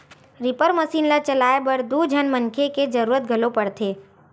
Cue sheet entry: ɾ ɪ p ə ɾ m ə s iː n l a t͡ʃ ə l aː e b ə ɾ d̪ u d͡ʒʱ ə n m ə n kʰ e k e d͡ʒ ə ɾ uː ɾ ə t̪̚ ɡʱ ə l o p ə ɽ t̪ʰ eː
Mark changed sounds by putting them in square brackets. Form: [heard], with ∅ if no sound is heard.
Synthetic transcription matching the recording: ɾ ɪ p ə ɾ m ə s iː n l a t͡ʃ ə l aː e b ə ɾ d̪ u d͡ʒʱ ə n m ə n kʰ e k e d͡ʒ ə ɾ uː ɾ ə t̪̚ ɡʱ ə l o p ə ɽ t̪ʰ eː